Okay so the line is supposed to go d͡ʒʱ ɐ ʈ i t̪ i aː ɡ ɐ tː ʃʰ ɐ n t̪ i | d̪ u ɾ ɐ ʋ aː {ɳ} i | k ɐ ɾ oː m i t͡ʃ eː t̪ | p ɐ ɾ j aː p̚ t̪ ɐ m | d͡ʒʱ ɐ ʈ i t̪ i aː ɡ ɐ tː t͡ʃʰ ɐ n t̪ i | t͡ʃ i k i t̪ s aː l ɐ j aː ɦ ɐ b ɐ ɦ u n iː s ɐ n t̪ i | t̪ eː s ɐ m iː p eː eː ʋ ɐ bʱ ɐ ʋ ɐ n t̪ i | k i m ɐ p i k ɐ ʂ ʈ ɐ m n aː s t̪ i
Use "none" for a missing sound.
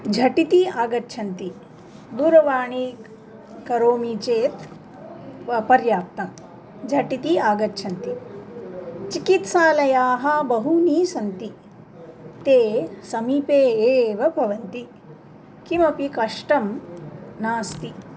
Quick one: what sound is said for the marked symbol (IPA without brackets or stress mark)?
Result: ɳ